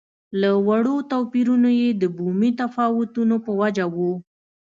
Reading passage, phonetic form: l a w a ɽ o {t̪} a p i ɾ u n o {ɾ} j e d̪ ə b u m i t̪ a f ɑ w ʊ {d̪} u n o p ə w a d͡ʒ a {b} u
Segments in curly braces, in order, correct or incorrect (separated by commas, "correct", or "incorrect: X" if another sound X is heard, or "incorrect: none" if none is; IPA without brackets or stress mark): correct, incorrect: none, incorrect: t̪, incorrect: w